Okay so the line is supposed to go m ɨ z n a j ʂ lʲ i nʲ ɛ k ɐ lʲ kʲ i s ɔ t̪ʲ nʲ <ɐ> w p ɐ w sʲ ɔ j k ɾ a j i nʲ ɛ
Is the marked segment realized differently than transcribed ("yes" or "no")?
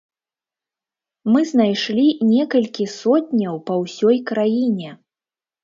no